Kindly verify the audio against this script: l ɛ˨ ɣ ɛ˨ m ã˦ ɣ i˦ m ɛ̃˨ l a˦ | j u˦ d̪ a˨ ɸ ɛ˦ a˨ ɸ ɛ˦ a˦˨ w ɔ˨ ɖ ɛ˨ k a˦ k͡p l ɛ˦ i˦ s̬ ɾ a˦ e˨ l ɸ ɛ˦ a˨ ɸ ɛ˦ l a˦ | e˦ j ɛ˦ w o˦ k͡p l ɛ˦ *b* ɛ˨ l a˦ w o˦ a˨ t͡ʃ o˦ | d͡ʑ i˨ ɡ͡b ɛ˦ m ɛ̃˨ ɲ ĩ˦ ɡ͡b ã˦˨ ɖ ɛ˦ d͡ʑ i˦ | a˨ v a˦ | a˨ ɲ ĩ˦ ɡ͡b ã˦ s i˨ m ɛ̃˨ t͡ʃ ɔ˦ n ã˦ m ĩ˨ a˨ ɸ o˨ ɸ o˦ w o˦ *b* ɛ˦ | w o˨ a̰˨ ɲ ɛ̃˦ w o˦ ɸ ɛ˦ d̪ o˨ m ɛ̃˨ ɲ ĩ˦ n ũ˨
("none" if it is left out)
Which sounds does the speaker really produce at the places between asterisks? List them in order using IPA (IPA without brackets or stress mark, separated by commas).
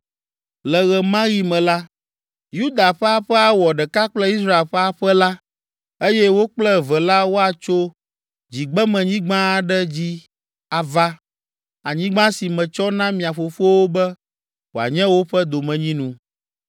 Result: v, b